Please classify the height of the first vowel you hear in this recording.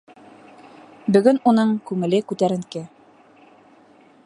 mid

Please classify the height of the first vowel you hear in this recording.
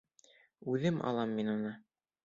high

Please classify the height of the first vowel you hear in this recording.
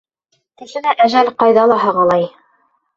mid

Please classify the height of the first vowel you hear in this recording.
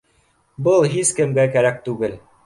mid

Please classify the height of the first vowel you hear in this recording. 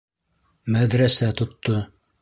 low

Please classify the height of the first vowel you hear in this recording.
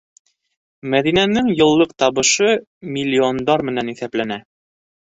low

